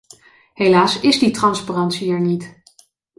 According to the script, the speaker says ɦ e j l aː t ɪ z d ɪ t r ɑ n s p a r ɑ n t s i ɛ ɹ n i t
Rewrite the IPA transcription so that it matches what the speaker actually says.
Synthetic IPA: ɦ e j l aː s ɪ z d i t r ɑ n s p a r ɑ n t s i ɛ ɹ n i t